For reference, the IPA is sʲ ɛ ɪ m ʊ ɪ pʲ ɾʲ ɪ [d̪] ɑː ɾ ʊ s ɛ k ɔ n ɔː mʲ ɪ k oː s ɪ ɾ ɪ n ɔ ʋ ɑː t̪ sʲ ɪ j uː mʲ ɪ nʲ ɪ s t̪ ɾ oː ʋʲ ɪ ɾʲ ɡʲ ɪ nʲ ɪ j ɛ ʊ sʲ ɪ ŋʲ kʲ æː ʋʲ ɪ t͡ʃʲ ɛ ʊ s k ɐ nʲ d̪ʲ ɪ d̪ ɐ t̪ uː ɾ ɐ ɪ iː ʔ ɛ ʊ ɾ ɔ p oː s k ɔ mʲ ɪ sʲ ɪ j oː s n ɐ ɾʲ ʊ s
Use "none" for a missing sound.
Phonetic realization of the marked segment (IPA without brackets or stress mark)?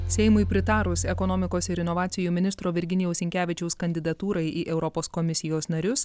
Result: t̪